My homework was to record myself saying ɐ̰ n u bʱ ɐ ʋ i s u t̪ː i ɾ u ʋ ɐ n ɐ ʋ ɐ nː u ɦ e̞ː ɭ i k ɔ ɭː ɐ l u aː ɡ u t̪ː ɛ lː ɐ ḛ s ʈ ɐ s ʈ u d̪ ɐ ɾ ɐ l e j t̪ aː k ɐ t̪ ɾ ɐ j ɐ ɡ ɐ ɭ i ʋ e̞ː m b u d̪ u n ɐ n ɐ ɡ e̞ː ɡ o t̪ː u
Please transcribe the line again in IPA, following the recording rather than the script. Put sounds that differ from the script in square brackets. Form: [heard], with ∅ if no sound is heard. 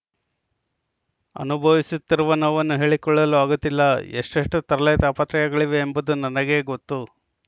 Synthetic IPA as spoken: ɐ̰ n u bʱ ɐ ʋ i s u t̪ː i ɾ u ʋ ɐ n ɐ ʋ ɐ nː u ɦ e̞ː ɭ i k ɔ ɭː ɐ l u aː ɡ u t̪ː [i] lː ɐ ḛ [ʂ] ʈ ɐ [ʂ] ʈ u [t̪] ɐ ɾ ɐ l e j t̪ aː [p] ɐ t̪ ɾ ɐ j ɐ ɡ ɐ ɭ i ʋ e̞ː m b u d̪ u n ɐ n ɐ ɡ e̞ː ɡ o t̪ː u